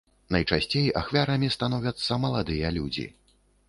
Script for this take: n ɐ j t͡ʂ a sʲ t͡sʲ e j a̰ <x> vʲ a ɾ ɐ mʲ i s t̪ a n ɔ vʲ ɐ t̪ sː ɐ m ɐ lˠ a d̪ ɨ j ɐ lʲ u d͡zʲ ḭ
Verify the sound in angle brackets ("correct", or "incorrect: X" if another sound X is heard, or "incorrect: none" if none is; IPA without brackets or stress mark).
correct